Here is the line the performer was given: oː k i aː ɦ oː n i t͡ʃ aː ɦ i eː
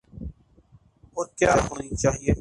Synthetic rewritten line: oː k j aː ɦ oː n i t͡ʃ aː ɦ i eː